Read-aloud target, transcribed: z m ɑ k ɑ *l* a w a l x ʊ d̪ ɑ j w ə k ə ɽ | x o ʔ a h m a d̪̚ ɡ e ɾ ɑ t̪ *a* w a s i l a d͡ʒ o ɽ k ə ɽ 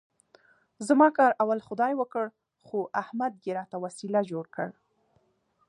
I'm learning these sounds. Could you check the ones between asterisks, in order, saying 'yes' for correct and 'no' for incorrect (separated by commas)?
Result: no, yes